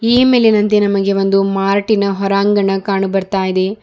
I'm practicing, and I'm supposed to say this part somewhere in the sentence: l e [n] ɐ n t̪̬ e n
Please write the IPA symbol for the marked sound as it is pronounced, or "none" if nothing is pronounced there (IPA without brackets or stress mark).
n